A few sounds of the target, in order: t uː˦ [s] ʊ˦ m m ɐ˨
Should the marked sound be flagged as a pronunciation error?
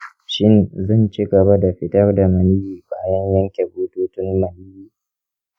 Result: yes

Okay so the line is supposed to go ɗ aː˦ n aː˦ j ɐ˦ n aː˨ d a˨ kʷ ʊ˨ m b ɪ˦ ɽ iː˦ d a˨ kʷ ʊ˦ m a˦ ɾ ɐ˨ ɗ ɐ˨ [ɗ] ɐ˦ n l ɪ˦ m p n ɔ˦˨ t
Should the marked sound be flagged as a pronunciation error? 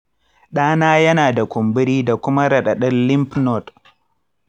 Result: no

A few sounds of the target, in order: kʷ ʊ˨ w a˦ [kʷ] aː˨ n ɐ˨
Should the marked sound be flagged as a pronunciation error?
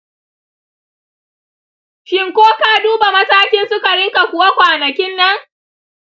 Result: no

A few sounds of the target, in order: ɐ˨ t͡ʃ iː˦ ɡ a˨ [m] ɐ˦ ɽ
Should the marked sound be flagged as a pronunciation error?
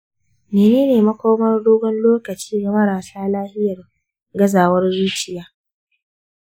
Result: no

